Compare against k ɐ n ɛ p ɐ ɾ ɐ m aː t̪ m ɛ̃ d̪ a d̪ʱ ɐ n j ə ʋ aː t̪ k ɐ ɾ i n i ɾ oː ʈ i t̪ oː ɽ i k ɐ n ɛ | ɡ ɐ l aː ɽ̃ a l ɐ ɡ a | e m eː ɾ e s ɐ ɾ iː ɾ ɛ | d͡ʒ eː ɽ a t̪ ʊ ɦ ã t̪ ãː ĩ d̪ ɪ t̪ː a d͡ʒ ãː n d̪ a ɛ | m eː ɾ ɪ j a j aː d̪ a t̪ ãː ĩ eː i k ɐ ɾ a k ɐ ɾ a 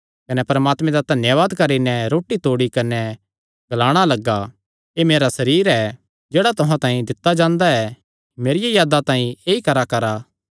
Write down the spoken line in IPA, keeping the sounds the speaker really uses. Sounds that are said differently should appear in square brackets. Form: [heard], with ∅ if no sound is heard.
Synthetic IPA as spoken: k ɐ n ɛ p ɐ ɾ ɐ m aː t̪ m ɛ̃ d̪ a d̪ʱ ɐ n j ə ʋ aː [d̪] k ɐ ɾ i n [ɛ] ɾ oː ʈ i t̪ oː ɽ i k ɐ n ɛ | ɡ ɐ l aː ɽ̃ a l ɐ ɡ a | e m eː ɾ [a] s ɐ ɾ iː ɾ ɛ | d͡ʒ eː ɽ a t̪ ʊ ɦ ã t̪ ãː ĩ d̪ ɪ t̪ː a d͡ʒ ãː n d̪ a ɛ | m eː ɾ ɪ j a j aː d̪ a t̪ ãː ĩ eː i k ɐ ɾ a k ɐ ɾ a